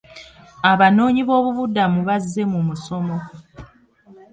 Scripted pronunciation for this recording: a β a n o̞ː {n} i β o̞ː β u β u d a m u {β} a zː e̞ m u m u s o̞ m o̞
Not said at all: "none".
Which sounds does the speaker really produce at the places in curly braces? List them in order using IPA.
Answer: ɲ, β

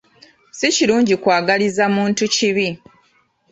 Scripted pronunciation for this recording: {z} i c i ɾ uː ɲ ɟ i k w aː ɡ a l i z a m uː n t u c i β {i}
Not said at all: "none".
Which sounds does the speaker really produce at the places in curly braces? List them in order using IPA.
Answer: s, i

